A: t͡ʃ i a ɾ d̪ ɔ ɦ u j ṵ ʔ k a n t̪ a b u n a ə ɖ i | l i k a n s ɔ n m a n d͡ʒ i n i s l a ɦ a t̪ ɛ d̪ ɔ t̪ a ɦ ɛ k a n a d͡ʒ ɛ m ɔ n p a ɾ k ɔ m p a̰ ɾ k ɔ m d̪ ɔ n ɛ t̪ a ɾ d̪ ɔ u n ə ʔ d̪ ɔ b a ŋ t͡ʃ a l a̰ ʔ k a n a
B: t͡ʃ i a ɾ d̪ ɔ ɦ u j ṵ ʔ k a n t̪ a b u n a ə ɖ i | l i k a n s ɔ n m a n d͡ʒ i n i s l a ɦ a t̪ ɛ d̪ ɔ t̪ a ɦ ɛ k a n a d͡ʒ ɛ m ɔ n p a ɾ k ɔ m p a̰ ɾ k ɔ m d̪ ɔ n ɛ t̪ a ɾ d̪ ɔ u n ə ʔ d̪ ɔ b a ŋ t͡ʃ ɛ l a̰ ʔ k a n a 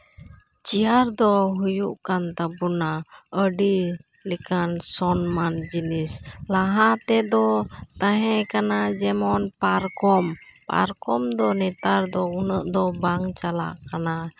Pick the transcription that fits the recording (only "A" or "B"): A